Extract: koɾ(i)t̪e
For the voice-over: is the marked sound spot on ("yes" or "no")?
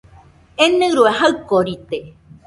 yes